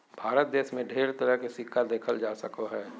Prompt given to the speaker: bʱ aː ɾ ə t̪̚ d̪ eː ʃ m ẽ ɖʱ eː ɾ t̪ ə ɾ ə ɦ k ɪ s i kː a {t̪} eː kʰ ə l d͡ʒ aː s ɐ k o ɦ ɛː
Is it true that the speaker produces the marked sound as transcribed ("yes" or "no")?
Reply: no